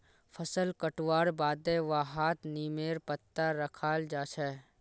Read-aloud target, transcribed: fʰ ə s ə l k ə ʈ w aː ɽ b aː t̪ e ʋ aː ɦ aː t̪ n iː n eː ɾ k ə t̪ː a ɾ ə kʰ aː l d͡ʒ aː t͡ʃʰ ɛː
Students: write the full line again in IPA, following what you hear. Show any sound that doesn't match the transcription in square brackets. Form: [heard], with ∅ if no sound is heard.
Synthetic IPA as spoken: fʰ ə s ə l k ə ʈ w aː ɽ b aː [d̪] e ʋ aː ɦ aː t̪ n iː [m] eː ɾ [p] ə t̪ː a ɾ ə kʰ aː l d͡ʒ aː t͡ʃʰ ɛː